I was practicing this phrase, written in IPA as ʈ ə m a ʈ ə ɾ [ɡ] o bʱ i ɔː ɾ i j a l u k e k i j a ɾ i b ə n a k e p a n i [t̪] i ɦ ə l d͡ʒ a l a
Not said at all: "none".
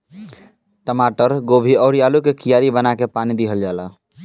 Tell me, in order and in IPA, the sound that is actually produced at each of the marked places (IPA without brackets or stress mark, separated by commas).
ɡ, d̪